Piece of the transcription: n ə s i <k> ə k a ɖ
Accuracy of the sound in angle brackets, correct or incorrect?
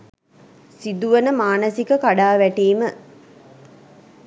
correct